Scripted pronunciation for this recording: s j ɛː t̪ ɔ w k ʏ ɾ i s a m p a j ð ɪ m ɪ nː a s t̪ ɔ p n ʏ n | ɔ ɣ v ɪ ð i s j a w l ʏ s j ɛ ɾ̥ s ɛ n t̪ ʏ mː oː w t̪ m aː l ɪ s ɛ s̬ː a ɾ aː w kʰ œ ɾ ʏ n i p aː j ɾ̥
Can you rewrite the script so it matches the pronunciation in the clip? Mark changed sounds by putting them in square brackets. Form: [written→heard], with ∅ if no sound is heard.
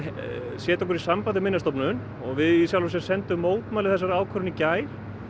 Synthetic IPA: s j ɛː t̪ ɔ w k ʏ ɾ i s a m p a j ð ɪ m ɪ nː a s t̪ ɔ p n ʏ n | ɔ ɣ v ɪ ð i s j a w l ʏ s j ɛ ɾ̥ s ɛ n t̪ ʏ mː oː w t̪ m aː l ɪ [s→θ] ɛ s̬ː a ɾ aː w kʰ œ ɾ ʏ n i [p→c] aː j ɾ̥